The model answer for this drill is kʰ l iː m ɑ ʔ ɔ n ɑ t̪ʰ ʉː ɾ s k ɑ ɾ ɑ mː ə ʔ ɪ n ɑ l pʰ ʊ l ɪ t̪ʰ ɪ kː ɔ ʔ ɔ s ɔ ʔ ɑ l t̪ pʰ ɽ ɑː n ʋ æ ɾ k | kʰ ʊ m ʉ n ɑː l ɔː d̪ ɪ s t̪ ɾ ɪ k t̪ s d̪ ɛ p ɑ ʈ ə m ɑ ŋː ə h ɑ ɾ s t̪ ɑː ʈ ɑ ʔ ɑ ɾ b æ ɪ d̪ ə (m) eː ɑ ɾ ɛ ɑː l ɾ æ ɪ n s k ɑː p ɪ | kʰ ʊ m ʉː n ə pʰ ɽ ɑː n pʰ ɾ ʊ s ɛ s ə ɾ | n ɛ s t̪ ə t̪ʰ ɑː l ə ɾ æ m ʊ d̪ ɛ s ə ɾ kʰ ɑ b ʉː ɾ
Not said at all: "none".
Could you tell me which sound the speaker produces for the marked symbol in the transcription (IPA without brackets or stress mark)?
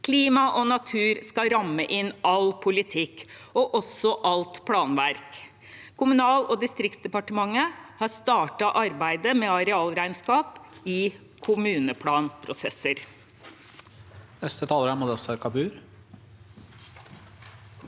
m